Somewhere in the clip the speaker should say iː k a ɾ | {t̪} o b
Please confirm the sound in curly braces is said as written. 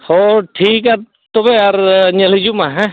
yes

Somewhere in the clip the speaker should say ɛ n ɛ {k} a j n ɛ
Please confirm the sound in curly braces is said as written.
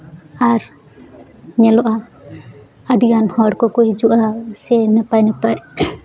no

